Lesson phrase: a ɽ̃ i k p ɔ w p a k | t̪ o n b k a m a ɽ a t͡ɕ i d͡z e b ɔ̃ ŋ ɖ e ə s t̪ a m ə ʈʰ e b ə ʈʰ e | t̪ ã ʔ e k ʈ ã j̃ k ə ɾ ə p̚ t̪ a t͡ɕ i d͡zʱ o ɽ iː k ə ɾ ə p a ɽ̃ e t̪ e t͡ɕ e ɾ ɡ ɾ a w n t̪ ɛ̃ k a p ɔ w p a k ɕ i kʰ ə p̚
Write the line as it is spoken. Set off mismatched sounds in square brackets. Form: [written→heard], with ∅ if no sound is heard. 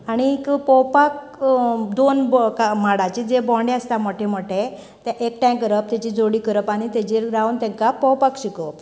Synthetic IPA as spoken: a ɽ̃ i k p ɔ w p a k | [t̪→d̪] o n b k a m a ɽ a t͡ɕ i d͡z e b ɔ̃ [ŋ→ɳ] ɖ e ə s t̪ a m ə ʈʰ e [b→m] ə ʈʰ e | t̪ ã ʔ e k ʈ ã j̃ k ə ɾ ə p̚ t̪ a t͡ɕ i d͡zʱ o ɽ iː k ə ɾ ə p a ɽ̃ [e→i] t̪ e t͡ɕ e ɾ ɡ ɾ a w n t̪ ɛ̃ k a p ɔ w p a k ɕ i [kʰ→k] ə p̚